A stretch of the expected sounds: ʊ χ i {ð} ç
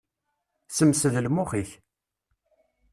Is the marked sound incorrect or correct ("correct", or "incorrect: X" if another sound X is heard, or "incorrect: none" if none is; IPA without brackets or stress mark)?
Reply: incorrect: none